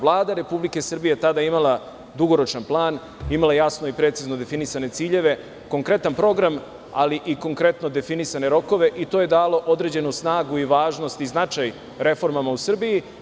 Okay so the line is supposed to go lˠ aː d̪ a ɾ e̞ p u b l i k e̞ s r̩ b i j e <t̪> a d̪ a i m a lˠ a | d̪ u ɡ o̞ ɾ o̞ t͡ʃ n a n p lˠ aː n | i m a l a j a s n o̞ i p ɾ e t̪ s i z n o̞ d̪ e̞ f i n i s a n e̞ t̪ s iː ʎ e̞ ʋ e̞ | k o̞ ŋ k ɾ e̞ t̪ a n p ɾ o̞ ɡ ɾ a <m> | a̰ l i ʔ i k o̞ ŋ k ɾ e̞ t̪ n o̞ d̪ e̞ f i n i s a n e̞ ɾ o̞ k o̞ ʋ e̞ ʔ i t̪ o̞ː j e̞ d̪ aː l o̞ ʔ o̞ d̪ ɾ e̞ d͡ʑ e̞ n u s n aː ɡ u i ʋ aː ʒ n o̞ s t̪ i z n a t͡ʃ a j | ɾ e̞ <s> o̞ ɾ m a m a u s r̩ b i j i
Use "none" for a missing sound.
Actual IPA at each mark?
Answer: t̪, m, f

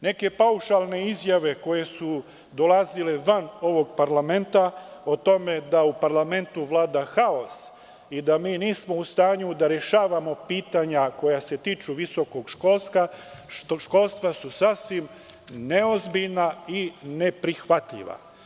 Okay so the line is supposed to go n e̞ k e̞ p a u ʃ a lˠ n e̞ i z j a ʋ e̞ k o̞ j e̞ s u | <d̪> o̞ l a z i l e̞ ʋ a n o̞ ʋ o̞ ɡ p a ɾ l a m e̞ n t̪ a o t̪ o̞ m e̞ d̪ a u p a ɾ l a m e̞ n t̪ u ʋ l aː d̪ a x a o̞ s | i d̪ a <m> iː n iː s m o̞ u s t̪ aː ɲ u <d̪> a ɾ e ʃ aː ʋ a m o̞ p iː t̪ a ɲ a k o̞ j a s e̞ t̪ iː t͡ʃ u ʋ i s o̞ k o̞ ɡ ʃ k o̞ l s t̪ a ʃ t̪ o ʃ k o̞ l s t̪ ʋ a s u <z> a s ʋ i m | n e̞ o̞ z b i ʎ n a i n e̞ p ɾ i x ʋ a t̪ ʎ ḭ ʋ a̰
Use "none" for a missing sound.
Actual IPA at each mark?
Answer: d̪, m, d̪, s

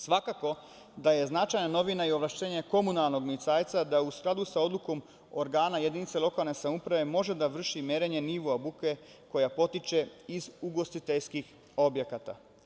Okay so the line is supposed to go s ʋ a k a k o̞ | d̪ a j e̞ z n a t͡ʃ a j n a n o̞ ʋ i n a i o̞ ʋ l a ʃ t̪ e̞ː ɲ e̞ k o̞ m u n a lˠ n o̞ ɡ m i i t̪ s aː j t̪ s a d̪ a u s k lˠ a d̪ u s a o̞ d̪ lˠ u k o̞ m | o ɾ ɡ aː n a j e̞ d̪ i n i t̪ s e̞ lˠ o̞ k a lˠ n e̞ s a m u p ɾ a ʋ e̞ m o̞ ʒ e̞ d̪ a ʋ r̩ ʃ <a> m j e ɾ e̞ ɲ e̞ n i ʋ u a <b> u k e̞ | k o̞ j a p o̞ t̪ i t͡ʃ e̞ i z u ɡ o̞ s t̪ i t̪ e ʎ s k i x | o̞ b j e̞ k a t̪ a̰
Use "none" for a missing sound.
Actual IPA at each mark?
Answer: i, b

